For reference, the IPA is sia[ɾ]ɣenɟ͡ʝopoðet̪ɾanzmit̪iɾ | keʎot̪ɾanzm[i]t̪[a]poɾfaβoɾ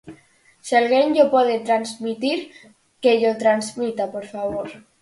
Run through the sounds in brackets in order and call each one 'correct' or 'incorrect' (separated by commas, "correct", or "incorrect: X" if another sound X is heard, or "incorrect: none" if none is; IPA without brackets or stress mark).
incorrect: l, correct, correct